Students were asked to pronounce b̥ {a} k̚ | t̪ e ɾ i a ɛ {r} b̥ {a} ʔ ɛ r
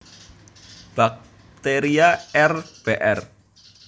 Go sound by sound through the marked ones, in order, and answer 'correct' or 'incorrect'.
correct, correct, incorrect: e

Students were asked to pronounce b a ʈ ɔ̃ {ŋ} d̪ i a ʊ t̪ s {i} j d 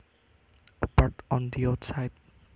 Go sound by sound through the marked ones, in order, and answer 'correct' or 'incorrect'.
incorrect: n, incorrect: a

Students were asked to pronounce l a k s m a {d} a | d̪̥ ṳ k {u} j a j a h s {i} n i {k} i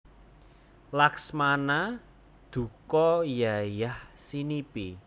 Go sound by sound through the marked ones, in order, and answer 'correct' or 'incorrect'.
incorrect: n, incorrect: ɔ, correct, incorrect: p

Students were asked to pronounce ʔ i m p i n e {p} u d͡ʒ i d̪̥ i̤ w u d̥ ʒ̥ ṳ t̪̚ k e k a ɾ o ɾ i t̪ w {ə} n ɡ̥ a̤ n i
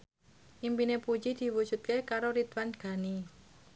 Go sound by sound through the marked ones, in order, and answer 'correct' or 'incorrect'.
correct, incorrect: a

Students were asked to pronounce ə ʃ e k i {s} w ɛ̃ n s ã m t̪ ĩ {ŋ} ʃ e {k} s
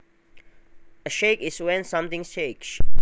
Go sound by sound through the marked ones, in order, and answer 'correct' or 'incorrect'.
correct, correct, correct

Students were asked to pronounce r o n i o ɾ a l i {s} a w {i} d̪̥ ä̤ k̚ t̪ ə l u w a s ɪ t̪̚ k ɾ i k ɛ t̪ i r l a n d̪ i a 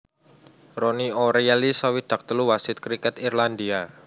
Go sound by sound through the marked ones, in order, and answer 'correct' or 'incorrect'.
correct, correct

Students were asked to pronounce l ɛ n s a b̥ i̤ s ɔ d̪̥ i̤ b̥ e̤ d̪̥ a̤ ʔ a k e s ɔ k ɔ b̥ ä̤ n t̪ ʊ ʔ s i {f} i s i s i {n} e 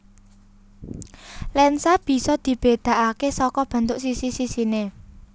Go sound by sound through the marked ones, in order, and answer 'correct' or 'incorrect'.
incorrect: s, correct

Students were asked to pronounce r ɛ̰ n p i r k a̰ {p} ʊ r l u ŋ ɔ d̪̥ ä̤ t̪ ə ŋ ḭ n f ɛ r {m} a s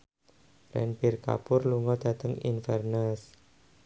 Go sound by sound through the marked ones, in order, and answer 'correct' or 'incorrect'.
correct, incorrect: n

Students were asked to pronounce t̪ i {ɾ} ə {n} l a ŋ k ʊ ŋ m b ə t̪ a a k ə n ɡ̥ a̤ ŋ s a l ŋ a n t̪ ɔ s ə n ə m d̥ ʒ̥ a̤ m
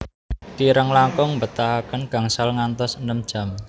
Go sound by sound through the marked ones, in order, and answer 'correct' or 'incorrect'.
correct, incorrect: ŋ

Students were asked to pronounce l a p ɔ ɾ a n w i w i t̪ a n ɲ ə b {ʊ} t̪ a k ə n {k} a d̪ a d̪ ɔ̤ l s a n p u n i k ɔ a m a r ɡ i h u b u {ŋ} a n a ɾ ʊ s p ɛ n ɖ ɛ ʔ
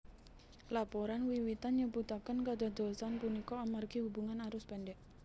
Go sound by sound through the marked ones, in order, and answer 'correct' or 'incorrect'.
incorrect: u, correct, correct

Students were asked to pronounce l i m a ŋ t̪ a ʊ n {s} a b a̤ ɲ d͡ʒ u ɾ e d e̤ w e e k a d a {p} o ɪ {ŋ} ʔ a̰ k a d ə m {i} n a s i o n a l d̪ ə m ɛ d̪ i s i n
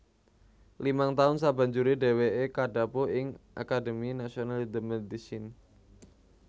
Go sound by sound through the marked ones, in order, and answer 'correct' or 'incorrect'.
correct, correct, correct, correct

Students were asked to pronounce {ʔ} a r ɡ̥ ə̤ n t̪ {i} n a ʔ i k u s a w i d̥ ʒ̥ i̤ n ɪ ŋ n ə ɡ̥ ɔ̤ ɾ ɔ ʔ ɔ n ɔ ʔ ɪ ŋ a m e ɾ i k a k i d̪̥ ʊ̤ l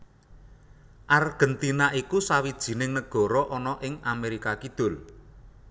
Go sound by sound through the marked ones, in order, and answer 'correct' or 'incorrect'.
correct, correct

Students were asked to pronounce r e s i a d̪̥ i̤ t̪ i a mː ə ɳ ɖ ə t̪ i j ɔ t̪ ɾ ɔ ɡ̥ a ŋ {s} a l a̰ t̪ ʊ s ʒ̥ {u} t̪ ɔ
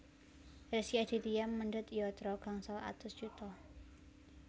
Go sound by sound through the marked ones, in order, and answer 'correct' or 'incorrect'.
correct, correct

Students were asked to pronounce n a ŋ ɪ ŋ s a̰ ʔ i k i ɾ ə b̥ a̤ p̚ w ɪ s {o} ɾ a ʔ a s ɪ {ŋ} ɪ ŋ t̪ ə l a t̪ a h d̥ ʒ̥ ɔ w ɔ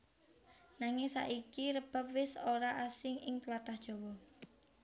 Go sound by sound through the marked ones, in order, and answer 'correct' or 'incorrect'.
correct, correct

